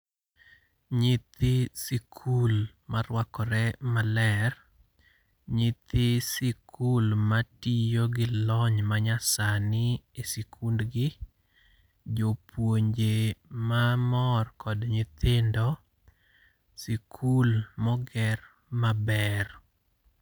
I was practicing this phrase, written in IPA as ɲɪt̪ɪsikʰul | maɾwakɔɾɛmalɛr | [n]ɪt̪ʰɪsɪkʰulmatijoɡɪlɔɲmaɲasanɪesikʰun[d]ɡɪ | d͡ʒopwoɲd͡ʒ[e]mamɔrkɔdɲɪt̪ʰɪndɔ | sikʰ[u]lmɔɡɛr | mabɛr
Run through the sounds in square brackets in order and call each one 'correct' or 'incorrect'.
incorrect: ɲ, correct, correct, correct

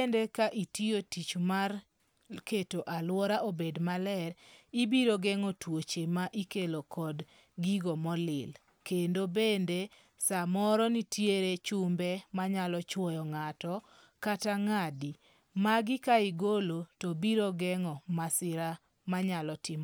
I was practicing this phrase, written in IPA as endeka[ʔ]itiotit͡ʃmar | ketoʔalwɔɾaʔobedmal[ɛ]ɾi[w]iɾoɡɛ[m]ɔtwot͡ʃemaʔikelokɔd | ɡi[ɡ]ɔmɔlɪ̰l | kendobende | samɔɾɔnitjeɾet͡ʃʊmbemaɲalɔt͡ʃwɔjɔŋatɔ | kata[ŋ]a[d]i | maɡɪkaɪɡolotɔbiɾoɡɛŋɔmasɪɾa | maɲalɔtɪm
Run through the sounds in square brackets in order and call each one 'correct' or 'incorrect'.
correct, correct, incorrect: b, incorrect: ŋ, correct, correct, correct

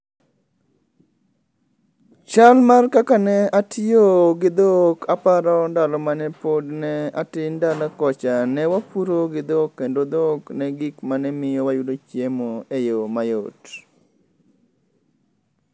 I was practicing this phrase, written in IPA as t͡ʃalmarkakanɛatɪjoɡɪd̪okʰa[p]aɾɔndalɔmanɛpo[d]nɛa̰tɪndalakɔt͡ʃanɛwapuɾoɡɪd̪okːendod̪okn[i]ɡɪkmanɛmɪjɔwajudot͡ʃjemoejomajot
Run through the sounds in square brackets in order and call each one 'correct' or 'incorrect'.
correct, correct, incorrect: ɛ

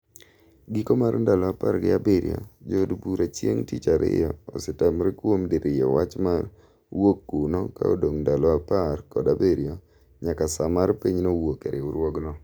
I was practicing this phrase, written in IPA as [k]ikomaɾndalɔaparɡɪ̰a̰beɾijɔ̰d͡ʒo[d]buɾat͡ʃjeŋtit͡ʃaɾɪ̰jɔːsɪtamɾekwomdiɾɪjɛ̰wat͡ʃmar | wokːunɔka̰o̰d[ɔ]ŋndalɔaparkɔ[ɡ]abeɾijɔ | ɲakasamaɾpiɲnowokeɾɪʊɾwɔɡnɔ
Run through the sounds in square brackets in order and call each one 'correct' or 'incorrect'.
incorrect: ɡ, correct, incorrect: o, incorrect: d

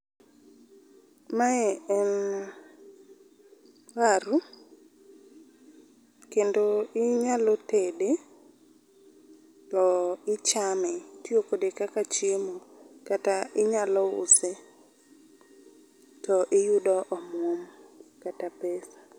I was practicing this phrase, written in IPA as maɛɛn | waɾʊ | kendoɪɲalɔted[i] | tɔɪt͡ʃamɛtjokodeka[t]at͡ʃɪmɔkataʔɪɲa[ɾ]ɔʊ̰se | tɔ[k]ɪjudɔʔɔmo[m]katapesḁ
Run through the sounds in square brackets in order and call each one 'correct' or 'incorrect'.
incorrect: e, incorrect: k, incorrect: l, incorrect: ʔ, correct

